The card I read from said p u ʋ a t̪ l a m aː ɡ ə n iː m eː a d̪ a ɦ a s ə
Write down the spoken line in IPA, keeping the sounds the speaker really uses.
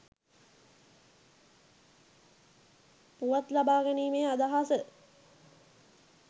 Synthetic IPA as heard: p u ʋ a t̪ l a b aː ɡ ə n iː m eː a d̪ a ɦ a s ə